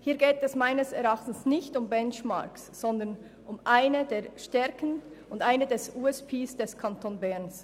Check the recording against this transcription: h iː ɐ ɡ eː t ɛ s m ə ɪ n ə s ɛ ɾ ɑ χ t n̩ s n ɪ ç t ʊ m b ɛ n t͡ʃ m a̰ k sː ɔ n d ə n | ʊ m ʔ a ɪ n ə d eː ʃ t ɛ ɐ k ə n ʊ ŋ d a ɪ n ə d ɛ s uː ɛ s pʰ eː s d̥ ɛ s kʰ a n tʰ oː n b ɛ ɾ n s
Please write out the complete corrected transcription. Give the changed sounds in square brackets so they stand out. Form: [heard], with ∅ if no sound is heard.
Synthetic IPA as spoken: h iː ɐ ɡ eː t ɛ s m [a] ɪ n ə s ɛ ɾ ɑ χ t n̩ s n ɪ ç t ʊ m b ɛ n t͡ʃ m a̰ k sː ɔ n d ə n | ʊ m ʔ a ɪ n ə d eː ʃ t ɛ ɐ k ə n ʊ [n] d a ɪ n ə d ɛ s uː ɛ s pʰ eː s d̥ ɛ s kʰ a n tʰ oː n b ɛ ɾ n s